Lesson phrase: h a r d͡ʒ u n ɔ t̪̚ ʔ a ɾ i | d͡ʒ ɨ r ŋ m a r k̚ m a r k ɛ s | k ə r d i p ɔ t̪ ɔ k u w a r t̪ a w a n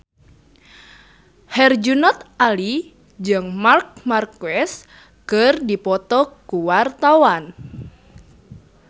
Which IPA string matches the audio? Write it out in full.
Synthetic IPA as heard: h ɛ r d͡ʒ u n ɔ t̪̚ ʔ a l i | d͡ʒ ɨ ŋ m a r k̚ m a r k ɛ s | k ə r d i p ɔ t̪ ɔ k u w a r t̪ a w a n